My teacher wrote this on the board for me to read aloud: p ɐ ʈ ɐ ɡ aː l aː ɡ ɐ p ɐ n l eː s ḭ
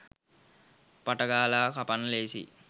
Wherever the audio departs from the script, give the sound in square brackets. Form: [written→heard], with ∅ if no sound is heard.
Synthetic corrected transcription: p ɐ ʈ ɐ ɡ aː l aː [ɡ→k] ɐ p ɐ n l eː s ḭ

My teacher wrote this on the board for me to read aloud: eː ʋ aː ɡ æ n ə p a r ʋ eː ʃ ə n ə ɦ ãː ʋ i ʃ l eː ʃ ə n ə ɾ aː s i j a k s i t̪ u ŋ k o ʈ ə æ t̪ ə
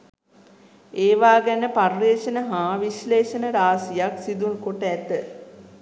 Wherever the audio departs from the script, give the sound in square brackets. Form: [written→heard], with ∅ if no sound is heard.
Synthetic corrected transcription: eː ʋ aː ɡ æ n ə p a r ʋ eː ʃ ə n ə ɦ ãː ʋ i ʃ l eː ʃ ə n ə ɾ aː s i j a k s i [t̪→d̪] u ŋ k o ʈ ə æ t̪ ə

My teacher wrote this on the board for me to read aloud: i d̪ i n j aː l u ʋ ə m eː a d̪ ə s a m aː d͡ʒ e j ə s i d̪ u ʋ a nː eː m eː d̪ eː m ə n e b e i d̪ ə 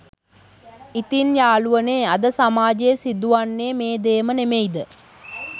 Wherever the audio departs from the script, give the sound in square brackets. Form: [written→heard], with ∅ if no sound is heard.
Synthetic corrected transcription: i [d̪→t̪] i n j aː l u ʋ ə [m→n] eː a d̪ ə s a m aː d͡ʒ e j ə s i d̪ u ʋ a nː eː m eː d̪ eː m ə n e [b→m] e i d̪ ə

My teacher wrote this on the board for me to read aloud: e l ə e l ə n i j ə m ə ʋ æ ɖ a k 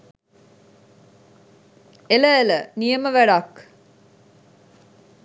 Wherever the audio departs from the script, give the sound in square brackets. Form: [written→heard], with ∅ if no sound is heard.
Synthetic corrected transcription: e l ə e l ə n i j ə m ə ʋ æ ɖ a k

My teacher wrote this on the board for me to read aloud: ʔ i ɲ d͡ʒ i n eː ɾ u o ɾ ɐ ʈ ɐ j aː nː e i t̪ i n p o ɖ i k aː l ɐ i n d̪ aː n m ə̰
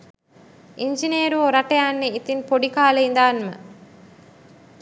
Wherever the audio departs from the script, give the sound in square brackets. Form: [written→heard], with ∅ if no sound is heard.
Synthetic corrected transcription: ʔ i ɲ d͡ʒ i n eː ɾ u o ɾ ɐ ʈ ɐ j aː nː e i t̪ i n p o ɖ i k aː l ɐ i n d̪ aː n m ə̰

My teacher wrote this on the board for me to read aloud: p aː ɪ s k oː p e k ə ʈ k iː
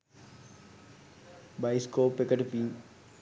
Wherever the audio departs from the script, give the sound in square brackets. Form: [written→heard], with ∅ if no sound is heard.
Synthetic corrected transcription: [p→b] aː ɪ s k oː p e k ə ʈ [k→p] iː

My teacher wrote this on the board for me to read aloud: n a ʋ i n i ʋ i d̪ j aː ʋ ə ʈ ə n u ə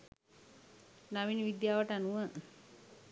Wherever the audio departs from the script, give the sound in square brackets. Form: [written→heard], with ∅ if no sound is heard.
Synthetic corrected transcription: n a ʋ i n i ʋ i d̪ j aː ʋ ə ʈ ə n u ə

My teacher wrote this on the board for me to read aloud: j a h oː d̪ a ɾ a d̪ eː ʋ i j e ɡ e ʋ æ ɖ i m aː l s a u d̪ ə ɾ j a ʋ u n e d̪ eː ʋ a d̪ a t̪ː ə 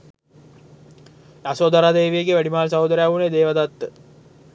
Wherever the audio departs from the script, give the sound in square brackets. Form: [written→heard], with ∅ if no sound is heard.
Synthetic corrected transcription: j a [h→s] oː d̪ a ɾ a d̪ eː ʋ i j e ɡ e ʋ æ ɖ i m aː l s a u d̪ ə ɾ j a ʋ u n e d̪ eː ʋ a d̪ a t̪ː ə

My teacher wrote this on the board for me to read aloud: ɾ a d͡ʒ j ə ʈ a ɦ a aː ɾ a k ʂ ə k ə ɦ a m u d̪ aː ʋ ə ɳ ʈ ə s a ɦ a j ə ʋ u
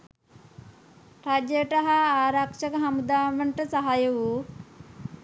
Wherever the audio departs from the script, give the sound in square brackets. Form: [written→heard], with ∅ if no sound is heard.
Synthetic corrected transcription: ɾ a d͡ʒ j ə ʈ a ɦ a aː ɾ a k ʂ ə k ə ɦ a m u d̪ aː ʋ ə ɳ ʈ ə s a ɦ a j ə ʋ u

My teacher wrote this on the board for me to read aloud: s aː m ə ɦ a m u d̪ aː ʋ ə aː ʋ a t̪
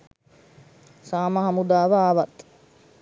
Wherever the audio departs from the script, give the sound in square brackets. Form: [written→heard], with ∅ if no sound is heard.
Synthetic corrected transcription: s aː m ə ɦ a m u d̪ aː ʋ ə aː ʋ a t̪

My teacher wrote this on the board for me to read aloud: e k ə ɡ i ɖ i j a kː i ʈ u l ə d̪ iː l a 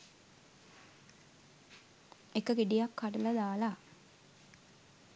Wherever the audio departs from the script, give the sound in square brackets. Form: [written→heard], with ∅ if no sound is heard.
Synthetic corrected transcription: e k ə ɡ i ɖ i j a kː [i→a] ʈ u l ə d̪ [iː→aː] l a

